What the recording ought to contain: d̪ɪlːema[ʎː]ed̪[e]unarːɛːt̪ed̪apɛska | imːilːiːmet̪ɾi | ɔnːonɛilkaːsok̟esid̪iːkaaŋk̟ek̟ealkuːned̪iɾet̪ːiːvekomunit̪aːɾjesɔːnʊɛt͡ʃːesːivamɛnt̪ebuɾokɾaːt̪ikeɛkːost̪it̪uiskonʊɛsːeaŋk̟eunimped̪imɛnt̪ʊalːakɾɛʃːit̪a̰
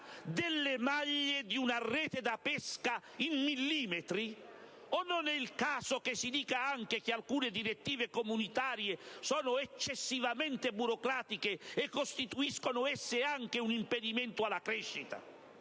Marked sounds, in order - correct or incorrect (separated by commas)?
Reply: correct, incorrect